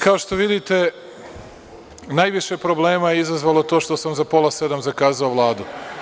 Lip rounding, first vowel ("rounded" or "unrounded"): unrounded